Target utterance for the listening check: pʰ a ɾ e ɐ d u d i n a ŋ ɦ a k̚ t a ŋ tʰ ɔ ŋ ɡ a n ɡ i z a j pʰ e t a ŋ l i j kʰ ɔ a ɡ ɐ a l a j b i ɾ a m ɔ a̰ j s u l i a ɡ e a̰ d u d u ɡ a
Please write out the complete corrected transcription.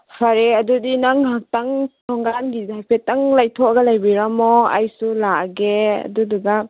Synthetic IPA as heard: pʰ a ɾ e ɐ d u d i n a ŋ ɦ a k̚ t a ŋ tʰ ɔ ŋ ɡ a n ɡ i z a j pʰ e t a ŋ l a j tʰ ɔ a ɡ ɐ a l a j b i ɾ a m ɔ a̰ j s u l a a ɡ e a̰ d u d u ɡ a